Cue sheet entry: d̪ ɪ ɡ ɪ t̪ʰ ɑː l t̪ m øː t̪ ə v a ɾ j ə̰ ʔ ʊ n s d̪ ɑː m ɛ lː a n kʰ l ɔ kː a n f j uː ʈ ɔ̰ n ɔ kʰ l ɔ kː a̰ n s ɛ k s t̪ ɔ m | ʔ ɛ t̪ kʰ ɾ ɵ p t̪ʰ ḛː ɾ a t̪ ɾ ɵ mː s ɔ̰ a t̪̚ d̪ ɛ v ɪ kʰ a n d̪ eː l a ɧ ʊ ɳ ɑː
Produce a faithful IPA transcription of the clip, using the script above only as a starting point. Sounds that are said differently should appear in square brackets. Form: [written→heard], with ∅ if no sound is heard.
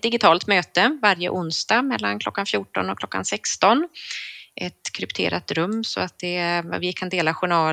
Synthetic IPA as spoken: d̪ ɪ ɡ ɪ t̪ʰ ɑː l t̪ m øː t̪ ə v a ɾ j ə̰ ʔ ʊ n s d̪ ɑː m ɛ lː a n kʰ l ɔ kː a n f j uː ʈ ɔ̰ n ɔ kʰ l ɔ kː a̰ n s ɛ k s t̪ ɔ [m→n] | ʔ ɛ t̪ kʰ ɾ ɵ p t̪ʰ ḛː ɾ a t̪ ɾ ɵ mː s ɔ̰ a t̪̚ d̪ ɛ v ɪ kʰ a n d̪ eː l a ɧ ʊ ɳ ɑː